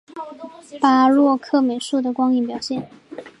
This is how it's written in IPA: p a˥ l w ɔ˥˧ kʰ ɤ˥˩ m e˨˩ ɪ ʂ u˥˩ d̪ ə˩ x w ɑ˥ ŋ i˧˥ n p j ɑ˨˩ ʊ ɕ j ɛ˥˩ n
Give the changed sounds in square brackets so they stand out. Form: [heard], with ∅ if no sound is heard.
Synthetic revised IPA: p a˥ l w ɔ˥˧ kʰ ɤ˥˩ m e˨˩ ɪ ʂ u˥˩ d̪ ə˩ [k] w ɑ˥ ŋ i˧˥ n p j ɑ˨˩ ʊ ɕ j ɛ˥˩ n